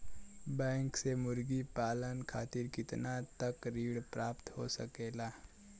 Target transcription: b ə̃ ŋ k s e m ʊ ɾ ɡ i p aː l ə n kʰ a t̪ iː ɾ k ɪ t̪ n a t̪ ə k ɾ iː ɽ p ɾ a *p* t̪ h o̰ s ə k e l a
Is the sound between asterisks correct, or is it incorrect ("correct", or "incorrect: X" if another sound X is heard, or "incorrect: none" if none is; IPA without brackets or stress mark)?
correct